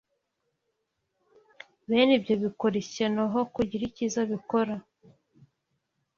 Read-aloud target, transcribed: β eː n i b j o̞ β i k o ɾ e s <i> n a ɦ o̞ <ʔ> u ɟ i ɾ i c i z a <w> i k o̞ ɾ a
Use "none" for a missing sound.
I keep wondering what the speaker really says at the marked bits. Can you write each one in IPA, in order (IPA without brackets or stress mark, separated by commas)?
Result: e, k, β